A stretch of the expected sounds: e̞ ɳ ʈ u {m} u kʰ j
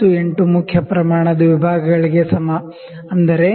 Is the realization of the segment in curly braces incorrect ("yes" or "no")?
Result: no